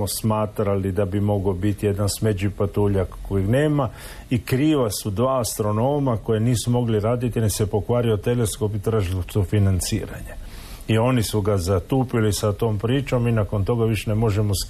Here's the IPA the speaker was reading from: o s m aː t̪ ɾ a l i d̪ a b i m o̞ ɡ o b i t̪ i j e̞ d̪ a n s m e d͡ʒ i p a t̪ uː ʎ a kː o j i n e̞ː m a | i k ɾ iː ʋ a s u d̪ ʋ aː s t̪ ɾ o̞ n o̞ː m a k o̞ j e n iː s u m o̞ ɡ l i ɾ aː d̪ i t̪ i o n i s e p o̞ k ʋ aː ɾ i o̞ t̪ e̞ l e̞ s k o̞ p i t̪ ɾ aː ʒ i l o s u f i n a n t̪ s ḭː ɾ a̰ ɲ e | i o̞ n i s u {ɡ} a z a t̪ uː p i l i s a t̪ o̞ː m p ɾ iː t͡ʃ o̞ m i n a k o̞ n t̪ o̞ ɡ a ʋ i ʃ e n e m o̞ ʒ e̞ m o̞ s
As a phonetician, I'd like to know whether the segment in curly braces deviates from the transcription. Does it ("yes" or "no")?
no